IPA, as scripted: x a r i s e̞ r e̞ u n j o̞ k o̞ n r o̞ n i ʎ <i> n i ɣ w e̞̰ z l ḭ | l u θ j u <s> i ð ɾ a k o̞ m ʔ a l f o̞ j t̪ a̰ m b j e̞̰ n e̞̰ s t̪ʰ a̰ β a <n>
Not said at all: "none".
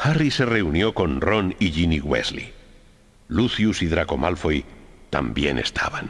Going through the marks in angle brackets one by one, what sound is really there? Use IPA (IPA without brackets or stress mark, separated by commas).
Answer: i, s, n